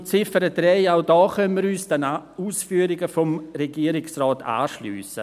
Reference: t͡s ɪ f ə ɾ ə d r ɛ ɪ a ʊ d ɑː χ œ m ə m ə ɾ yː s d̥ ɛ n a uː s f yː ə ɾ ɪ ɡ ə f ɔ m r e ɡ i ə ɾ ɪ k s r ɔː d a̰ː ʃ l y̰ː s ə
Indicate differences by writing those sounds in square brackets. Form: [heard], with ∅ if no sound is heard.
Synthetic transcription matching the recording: t͡s ɪ f ə ɾ ə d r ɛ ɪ a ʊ d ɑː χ œ [n] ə m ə ɾ yː s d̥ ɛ n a uː s f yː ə ɾ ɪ ɡ ə f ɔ m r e ɡ i ə ɾ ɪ k s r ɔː [t] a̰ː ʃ l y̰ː s ə